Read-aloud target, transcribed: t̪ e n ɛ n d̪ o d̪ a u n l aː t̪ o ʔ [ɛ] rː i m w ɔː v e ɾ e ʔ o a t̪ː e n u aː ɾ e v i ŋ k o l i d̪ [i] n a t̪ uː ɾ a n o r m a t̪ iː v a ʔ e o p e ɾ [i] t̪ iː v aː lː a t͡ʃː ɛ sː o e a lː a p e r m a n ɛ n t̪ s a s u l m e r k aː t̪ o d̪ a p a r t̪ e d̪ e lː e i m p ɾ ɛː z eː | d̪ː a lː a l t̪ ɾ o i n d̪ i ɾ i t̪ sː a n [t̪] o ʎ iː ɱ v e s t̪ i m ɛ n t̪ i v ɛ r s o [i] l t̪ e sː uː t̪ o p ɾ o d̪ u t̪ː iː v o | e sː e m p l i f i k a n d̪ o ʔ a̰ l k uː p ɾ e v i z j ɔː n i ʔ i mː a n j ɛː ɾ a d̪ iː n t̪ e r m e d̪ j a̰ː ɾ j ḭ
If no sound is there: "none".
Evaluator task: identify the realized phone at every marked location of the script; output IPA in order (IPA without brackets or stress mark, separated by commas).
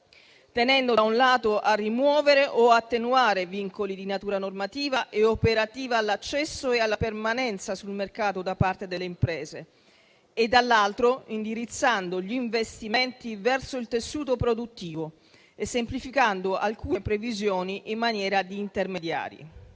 a, i, a, d̪, i